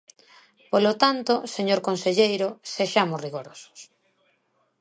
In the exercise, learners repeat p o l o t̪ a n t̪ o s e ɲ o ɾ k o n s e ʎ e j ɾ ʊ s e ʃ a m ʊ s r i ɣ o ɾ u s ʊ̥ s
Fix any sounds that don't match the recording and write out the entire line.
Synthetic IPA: p o l o t̪ a n t̪ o s e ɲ o ɾ k o n s e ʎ e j ɾ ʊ s e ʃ a m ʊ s r i ɣ o ɾ o s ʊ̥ s